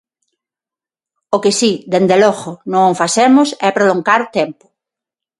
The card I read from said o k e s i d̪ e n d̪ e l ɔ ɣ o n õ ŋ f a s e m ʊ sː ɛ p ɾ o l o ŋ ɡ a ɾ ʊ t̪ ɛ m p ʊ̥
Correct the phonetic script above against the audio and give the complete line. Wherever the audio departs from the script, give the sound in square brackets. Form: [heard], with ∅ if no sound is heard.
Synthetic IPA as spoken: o k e s i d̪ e n d̪ e l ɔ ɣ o n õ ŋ f a s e m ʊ [s] ɛ p ɾ o l o ŋ ɡ a ɾ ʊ t̪ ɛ m p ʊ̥